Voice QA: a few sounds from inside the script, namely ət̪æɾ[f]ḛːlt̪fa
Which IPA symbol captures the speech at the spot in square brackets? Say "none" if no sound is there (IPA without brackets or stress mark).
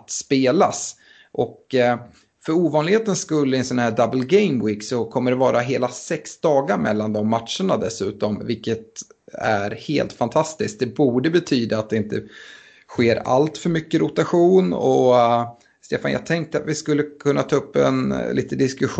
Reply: h